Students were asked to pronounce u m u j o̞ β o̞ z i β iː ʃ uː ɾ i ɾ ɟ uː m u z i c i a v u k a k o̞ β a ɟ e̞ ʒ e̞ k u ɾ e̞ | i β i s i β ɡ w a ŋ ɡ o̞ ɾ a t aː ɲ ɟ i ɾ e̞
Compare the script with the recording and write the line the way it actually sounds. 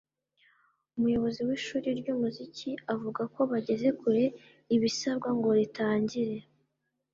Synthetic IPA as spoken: u m u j o̞ β o̞ z i w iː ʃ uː ɾ i ɾ ɟ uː m u z i c i a v u ɡ a k o̞ β a ɟ e̞ z e̞ k u ɾ e̞ | i β i s a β ɡ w a ŋ ɡ o̞ ɾ i t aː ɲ ɟ i ɾ e̞